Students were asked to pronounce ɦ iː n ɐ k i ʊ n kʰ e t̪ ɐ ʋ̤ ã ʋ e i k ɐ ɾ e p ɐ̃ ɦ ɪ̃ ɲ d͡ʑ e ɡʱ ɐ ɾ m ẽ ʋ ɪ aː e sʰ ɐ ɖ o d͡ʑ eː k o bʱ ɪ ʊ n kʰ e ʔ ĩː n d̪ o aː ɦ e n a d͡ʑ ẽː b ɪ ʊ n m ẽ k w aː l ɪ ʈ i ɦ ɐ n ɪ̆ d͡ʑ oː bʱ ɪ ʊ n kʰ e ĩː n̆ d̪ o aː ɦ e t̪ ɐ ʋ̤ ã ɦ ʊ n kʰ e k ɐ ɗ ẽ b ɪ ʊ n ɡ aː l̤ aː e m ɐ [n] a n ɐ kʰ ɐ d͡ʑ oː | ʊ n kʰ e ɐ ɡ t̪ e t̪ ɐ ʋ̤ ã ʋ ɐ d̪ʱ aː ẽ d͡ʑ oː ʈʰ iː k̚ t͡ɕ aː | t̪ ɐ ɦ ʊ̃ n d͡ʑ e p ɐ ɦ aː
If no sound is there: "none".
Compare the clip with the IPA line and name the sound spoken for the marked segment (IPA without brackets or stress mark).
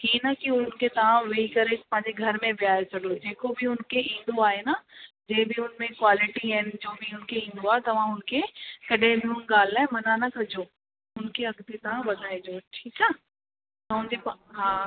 n